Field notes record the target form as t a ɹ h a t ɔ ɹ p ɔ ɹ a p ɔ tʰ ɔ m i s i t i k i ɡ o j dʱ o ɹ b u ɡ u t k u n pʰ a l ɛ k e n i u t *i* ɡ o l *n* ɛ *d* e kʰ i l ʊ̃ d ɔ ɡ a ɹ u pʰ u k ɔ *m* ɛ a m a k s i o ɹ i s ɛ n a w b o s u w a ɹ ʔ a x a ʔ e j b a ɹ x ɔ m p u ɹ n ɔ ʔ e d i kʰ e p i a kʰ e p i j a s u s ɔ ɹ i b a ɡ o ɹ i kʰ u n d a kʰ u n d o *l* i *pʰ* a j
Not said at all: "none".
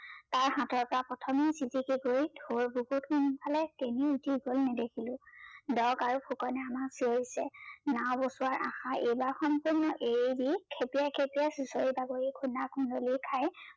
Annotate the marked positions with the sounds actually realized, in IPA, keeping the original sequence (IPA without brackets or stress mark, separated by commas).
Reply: i, n, d, n, l, kʰ